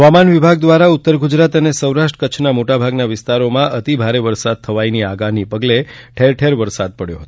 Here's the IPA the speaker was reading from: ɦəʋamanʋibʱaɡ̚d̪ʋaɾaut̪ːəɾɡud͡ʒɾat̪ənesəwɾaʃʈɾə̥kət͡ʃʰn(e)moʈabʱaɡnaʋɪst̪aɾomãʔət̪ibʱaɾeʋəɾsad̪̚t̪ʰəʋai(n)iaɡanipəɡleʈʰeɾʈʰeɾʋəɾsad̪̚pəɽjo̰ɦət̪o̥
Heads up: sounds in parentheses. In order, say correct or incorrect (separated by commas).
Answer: incorrect, correct